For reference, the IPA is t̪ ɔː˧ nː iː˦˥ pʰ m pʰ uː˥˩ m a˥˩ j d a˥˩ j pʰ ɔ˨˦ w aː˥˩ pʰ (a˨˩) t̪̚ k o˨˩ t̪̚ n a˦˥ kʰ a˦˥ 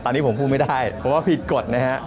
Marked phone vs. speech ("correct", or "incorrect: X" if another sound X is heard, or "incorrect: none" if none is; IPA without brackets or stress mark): incorrect: i˨˩